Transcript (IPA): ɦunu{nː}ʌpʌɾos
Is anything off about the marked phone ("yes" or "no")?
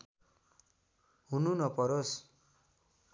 yes